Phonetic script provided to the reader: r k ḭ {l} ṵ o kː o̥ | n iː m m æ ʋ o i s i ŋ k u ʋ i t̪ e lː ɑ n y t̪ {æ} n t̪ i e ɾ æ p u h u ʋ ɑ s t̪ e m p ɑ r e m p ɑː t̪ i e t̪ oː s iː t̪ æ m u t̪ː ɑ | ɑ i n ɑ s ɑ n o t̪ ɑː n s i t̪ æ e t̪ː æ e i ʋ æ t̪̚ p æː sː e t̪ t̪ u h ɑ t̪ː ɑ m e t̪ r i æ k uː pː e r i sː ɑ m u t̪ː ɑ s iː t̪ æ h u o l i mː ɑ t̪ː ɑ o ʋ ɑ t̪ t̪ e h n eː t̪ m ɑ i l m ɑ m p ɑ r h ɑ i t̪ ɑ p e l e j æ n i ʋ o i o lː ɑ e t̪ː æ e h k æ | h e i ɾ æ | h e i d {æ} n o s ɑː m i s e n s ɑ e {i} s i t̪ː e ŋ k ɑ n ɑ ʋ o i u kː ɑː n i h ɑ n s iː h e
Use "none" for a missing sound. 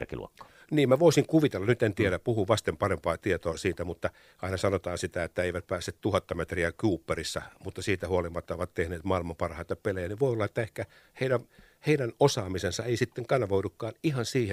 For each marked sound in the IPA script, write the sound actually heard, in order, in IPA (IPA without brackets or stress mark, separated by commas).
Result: l, e, æ, i